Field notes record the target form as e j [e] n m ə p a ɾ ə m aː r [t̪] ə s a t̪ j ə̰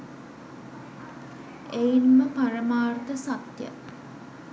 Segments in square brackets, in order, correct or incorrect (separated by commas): incorrect, correct